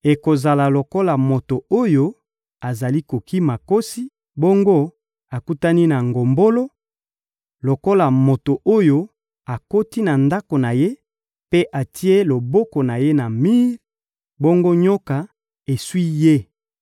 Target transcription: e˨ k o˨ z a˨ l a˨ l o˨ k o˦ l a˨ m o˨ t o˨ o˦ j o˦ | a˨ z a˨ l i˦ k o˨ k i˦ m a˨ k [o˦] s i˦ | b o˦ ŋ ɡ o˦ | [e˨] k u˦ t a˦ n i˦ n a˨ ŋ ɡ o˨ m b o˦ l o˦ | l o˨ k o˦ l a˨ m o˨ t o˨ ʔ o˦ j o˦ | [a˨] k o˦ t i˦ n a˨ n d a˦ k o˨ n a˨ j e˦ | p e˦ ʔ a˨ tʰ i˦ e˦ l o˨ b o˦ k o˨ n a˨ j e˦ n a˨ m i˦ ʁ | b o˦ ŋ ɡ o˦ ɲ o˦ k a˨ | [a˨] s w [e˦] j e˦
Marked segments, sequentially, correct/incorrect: correct, incorrect: a˨, correct, incorrect: e˨, incorrect: i˦

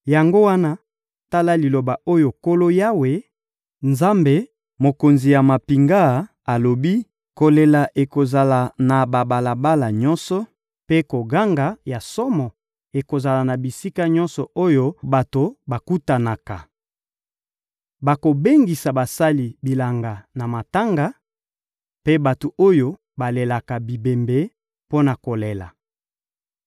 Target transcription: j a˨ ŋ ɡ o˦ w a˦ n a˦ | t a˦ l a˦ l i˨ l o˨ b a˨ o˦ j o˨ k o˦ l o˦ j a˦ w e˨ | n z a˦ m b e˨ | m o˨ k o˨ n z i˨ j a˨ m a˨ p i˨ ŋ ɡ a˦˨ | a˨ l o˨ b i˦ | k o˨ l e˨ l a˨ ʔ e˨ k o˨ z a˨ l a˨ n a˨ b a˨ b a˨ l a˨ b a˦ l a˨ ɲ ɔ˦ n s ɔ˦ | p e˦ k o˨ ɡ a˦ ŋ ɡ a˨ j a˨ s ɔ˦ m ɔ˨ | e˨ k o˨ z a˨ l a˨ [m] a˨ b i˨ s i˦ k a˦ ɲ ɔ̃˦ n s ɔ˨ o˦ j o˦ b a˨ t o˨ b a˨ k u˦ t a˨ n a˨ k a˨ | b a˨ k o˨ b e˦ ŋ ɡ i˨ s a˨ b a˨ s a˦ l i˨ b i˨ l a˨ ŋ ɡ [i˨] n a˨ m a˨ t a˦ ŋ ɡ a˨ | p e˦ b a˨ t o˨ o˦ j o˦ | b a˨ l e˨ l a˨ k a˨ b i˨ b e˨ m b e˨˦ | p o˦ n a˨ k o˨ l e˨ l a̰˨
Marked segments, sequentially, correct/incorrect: incorrect: n, incorrect: a˨

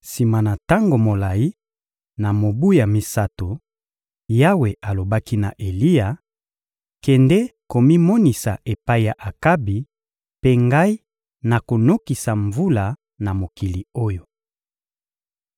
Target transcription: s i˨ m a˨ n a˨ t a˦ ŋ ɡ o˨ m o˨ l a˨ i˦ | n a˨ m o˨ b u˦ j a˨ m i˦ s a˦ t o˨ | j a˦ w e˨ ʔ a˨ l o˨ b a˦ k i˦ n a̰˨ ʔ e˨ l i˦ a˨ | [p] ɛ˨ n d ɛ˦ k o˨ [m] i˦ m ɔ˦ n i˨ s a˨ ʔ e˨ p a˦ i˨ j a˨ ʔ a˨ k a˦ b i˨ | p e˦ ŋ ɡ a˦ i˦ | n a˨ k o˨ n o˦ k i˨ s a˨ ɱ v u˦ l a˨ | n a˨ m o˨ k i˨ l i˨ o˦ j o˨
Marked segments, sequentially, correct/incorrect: incorrect: k, correct

